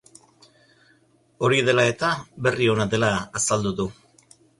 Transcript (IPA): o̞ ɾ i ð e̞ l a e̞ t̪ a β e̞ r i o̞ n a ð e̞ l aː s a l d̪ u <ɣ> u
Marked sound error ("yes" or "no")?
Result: yes